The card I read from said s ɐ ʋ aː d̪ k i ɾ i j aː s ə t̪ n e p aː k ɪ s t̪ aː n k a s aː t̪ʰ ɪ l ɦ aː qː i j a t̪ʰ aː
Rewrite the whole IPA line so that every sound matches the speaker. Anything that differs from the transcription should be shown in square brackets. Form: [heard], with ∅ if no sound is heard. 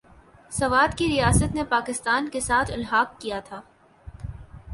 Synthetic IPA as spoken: s ɐ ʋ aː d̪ k i ɾ i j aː s ə t̪ n e p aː k ɪ s t̪ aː n k [e] s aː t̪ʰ ɪ l ɦ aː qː i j a t̪ʰ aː